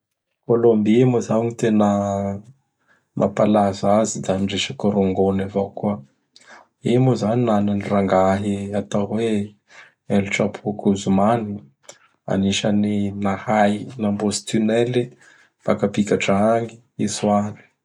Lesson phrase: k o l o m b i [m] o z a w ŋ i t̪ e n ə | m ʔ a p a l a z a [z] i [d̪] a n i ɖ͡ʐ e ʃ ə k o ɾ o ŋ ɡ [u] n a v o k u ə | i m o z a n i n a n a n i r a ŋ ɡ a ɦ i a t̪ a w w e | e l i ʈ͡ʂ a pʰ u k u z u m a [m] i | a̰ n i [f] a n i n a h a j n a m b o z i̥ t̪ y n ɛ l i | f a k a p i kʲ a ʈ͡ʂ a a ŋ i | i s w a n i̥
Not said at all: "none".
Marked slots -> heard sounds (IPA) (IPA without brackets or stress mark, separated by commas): m, z, d̪, o, n, ʃ